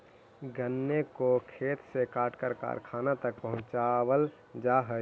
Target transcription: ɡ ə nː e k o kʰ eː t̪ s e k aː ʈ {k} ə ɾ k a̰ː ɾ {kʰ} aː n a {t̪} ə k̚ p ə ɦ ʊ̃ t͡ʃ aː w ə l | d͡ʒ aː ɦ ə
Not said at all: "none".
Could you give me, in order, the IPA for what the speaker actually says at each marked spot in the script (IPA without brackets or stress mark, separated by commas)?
k, kʰ, t̪